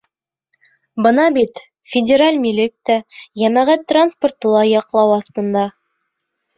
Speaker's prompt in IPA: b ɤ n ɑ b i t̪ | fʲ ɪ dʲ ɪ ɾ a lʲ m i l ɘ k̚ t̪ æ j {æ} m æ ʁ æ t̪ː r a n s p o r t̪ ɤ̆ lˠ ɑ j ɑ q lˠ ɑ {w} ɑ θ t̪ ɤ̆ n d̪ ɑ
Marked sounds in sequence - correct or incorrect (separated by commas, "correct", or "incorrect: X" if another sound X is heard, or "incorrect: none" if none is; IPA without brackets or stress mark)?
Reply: correct, correct